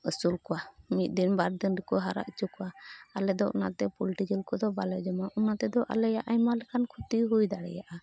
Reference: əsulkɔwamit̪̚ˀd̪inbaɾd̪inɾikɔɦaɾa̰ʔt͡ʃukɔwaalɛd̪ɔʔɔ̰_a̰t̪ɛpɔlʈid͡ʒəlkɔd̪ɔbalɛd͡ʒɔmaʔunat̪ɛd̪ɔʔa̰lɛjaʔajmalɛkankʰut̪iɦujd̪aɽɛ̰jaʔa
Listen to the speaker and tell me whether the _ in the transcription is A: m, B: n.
B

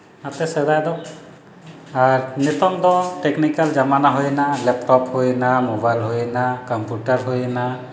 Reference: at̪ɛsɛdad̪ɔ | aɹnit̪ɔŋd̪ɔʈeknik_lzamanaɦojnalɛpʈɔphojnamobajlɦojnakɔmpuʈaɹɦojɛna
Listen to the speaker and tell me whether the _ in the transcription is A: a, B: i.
A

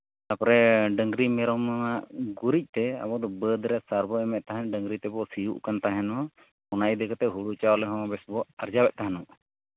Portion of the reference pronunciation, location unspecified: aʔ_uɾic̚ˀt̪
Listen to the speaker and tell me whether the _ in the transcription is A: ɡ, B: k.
A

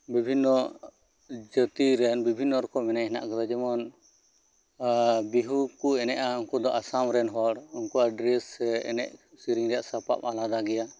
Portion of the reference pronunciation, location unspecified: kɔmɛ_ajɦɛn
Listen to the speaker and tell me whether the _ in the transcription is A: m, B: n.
B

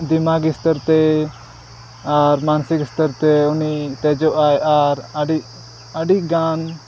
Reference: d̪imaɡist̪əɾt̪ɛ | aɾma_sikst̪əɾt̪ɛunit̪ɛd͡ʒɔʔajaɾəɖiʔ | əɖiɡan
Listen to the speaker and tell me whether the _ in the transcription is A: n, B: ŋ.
A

